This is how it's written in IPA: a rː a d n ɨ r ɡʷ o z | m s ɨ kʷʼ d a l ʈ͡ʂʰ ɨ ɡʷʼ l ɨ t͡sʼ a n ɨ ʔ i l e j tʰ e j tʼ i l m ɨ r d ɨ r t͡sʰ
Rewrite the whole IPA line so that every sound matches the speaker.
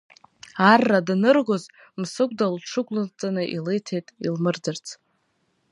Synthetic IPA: a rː a d n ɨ r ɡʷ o z | m s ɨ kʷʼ d a l ʈ͡ʂʰ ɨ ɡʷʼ l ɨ t͡sʼ a n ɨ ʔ i l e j tʰ e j tʼ i l m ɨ r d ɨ r t͡sʰ